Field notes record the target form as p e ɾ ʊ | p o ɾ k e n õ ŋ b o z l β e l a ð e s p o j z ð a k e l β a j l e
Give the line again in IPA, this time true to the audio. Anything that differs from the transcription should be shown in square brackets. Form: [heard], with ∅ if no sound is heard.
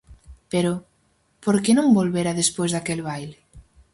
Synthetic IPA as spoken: p e ɾ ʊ | p o ɾ k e n õ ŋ b o [∅] l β e [ɾ] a ð e s p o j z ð a k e l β a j l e